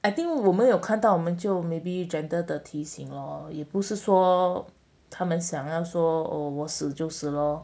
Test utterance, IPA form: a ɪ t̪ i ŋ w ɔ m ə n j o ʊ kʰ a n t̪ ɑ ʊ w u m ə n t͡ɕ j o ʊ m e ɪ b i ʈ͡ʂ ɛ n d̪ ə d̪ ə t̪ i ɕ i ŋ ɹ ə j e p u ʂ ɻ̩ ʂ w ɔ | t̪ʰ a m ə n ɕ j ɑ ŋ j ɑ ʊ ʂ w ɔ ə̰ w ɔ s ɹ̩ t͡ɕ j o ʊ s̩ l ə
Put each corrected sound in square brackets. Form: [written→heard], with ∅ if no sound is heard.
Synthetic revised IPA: a ɪ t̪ i ŋ w ɔ m ə n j o ʊ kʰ a n t̪ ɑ ʊ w [u→ɔ] m ə n t͡ɕ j o ʊ m e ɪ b i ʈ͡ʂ ɛ n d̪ ə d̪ ə [t̪→t̪ʰ] i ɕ i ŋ [ɹ→l] ə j [e→ɛ] p u ʂ ɻ̩ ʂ w ɔ | t̪ʰ a m ə n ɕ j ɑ ŋ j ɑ ʊ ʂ w ɔ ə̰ w ɔ s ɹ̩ t͡ɕ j o ʊ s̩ l ə